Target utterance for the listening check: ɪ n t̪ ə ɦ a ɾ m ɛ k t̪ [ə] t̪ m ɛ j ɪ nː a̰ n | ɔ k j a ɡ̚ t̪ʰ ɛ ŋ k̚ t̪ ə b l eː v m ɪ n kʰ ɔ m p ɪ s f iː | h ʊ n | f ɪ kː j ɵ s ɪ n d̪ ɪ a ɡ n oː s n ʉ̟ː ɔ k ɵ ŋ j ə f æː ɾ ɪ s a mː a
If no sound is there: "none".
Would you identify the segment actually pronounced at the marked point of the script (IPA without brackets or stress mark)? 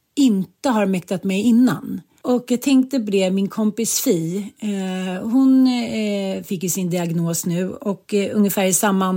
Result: a